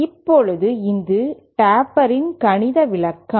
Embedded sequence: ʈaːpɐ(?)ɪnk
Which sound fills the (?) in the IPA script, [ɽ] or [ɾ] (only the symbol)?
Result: ɾ